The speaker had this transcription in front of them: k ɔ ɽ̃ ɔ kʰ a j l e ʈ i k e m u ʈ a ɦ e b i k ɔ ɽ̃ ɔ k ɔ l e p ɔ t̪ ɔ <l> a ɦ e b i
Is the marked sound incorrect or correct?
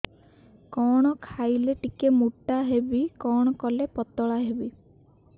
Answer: incorrect